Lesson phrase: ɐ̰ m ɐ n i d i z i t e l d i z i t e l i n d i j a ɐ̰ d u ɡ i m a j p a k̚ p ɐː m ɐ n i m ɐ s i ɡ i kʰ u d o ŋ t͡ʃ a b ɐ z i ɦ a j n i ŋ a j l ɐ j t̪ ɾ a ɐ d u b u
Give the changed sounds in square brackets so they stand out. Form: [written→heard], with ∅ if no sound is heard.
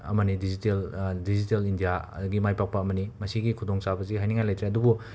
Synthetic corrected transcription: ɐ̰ m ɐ n i d i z i t e l d i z i t e l i n d i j a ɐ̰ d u ɡ i m a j p a k̚ p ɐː m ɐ n i m ɐ s i ɡ i kʰ u d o ŋ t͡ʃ a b ɐ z i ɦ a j n i ŋ a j l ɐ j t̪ ɾ [a→e] ɐ d u b u